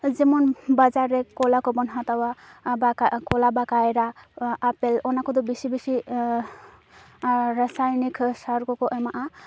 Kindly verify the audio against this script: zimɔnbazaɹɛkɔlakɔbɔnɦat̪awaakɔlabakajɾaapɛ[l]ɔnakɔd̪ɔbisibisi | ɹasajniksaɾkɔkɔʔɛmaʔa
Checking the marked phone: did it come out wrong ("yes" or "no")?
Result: no